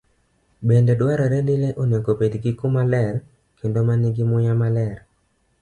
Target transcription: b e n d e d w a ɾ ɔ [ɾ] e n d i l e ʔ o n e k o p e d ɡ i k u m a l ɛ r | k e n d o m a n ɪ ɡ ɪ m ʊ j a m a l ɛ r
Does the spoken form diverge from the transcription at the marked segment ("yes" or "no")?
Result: no